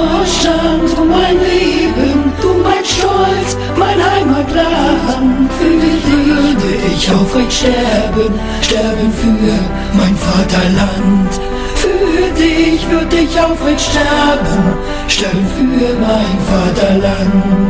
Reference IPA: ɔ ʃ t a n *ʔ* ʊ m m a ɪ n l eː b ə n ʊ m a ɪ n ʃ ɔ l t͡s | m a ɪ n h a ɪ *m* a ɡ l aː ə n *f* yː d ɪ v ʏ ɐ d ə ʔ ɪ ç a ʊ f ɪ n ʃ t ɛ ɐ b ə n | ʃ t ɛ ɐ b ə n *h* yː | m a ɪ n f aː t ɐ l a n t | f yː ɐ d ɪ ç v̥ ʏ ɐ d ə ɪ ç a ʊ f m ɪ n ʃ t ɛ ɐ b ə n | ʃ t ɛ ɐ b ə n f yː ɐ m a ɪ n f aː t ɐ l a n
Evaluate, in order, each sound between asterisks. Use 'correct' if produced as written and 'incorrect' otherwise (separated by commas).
incorrect, correct, correct, incorrect